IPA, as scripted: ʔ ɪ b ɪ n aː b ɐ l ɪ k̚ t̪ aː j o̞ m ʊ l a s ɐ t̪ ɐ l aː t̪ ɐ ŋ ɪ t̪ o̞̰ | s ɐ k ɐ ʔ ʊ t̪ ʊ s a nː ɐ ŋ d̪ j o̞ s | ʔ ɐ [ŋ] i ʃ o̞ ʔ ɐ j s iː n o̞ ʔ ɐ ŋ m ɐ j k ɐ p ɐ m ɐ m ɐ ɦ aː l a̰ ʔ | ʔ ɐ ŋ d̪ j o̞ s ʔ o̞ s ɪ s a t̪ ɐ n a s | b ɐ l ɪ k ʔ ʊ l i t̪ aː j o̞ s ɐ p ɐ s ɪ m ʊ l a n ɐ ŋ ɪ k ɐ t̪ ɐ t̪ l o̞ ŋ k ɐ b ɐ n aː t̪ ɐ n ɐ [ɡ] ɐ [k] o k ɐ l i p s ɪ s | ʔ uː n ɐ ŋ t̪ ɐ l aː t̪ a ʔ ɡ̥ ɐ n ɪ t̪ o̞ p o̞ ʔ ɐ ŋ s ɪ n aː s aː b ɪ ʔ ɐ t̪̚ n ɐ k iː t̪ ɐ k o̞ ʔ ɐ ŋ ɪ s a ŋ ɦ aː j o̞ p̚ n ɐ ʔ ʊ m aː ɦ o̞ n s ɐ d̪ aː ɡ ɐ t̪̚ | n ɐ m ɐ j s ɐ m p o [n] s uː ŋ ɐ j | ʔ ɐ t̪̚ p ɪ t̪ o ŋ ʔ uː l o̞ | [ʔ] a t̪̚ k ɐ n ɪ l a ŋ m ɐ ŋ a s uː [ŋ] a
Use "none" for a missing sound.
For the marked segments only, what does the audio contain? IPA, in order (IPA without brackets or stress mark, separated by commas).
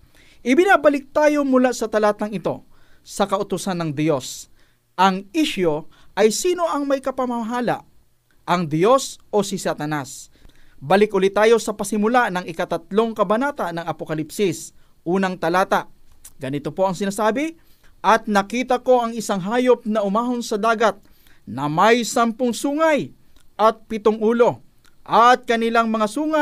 ŋ, ŋ, p, ŋ, ʔ, ŋ